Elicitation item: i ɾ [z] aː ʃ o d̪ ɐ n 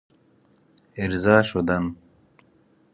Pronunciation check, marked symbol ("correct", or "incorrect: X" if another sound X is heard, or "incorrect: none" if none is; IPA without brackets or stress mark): correct